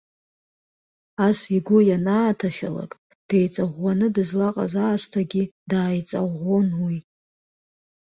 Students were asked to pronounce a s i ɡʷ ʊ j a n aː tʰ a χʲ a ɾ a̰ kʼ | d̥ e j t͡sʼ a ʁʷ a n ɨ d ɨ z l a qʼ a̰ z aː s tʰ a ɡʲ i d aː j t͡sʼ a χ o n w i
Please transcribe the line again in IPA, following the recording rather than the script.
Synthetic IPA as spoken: a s i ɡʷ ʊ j a n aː tʰ a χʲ a l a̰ kʼ | d̥ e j t͡sʼ a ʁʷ a n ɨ d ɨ z l a qʼ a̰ z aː s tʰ a ɡʲ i d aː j t͡sʼ a ʁ o n w i

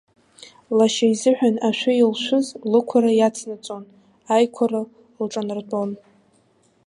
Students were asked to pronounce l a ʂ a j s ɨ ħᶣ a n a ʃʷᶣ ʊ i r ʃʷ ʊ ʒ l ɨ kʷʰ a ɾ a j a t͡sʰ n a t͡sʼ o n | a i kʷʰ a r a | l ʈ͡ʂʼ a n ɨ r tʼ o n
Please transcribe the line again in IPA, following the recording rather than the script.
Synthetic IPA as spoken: l a ʃ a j z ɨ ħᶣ a n a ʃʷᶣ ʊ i l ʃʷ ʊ z l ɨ kʷʰ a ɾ a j a t͡sʰ n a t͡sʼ o n | a j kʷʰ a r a | l ʈ͡ʂʼ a n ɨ r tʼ o n

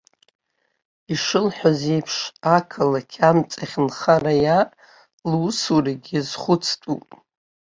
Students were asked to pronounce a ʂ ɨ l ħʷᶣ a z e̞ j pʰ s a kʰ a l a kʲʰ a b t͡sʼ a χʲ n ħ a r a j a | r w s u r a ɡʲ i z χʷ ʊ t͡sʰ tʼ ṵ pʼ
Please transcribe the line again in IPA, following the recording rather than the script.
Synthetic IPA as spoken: i ʂ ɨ l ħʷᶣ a z e̞ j pʰ ʂ a kʰ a l a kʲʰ a m t͡sʼ a χʲ n χ a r a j a | l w s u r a ɡʲ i z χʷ ʊ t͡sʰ tʼ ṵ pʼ

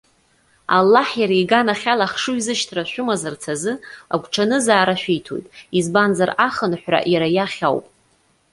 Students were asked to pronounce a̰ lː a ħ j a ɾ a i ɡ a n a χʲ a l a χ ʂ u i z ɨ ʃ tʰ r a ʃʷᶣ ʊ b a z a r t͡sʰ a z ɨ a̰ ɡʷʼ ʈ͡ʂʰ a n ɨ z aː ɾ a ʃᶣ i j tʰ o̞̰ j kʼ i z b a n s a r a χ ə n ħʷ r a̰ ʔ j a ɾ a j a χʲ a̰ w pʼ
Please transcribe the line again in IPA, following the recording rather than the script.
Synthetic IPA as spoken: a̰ lː a ħ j a ɾ a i ɡ a n a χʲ a l a χ ʂ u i z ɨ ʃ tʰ r a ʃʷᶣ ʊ m a z a r t͡sʰ a z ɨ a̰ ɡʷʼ ʈ͡ʂʰ a n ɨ z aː ɾ a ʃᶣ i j tʰ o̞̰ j tʼ i z b a n z a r a χ ə n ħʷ r a̰ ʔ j a ɾ a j a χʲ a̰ w pʼ

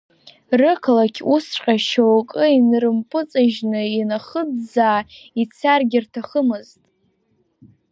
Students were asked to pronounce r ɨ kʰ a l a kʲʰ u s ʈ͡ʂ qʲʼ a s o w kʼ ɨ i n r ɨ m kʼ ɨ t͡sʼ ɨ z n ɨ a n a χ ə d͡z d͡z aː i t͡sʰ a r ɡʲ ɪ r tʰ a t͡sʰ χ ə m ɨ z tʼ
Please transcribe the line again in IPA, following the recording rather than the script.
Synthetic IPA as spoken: r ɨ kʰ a l a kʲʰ u s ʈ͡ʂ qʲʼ a ʃ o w kʼ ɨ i n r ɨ m pʼ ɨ t͡sʼ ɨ ʒ n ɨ i n a χ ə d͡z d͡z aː i t͡sʰ a r ɡʲ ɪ r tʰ a χ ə m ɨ z tʼ

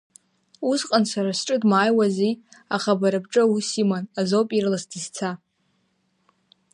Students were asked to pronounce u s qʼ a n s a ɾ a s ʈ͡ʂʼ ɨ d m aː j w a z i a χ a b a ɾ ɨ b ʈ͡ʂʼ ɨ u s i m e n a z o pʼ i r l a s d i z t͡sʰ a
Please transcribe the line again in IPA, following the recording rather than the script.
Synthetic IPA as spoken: u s qʼ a n s a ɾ a s ʈ͡ʂʼ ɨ d m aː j w a z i a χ a b a ɾ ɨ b ʈ͡ʂʼ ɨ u s i m a n a z o pʼ i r l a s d i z t͡sʰ a

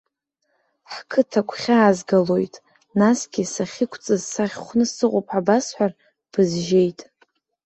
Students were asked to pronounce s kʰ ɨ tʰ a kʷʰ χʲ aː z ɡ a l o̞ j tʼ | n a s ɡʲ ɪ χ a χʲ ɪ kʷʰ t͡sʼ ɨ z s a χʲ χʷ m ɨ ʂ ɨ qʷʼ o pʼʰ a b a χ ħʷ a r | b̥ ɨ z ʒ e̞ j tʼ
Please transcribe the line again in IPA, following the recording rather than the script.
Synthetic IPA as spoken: ħ kʰ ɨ tʰ a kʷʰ χʲ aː z ɡ a l o̞ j tʼ | n a s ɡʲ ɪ s a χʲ ɪ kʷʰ t͡sʼ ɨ z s a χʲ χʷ n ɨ s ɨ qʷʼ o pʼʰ a b a s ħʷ a r | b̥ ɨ z ʒ e̞ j tʼ

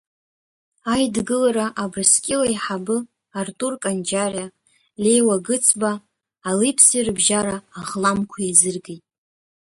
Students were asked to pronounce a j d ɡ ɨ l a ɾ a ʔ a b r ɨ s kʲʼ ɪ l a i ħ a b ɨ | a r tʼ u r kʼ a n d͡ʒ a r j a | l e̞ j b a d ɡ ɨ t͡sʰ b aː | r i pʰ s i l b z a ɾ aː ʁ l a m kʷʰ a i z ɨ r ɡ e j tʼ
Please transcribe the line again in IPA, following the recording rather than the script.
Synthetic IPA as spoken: a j d ɡ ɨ l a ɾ a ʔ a b r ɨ s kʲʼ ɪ l a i ħ a b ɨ | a r tʼ u r kʼ a n d͡ʒ a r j a | l e̞ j w a ɡ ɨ t͡sʰ b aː | l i pʰ s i r b ʒ a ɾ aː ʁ l a m kʷʰ a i z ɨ r ɡ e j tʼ

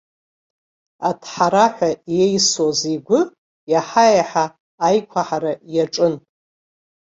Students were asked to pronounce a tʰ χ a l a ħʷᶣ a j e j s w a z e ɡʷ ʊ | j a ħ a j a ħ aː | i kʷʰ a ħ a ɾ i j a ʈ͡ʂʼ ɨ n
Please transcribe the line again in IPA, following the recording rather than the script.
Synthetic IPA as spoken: a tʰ ħ a ɾ a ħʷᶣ a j e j s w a z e ɡʷ ʊ | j a ħ a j a ħ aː | j kʷʰ a ħ a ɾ a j a ʈ͡ʂʼ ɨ n

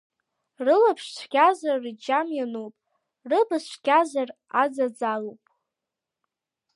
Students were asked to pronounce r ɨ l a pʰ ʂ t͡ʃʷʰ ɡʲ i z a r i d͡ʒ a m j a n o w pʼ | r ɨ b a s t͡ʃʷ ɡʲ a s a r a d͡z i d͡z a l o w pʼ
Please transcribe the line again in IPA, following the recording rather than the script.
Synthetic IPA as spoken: r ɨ l a pʰ ʂ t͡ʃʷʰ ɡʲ a z a r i d͡ʒ a m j a n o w pʼ | r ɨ b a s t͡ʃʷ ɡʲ a z a r a d͡z a d͡z a l o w pʼ

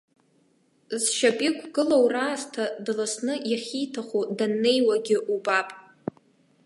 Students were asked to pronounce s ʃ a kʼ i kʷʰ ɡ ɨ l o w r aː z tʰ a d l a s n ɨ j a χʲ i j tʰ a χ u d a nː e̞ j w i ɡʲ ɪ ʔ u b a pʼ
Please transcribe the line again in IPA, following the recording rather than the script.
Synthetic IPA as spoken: z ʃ a pʼ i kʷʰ ɡ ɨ l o w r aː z tʰ a d l a s n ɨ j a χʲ i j tʰ a χ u d a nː e̞ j w a ɡʲ ɪ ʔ u b a pʼ

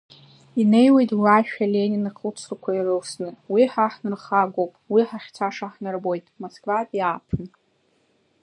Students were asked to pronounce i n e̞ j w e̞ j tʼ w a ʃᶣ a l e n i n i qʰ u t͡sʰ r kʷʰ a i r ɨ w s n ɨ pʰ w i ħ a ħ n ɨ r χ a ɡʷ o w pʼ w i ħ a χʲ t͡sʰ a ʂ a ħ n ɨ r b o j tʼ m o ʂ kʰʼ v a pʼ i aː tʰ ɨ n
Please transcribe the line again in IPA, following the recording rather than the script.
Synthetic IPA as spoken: i n e̞ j w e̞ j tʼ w a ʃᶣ a l e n i n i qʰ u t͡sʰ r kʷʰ a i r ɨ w s n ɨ w i ħ a ħ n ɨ r χ a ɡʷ o w pʼ w i ħ a χʲ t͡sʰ a ʂ a ħ n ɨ r b o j tʼ m o s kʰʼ v a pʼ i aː pʰ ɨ n

